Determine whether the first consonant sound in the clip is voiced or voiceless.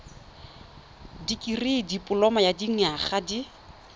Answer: voiced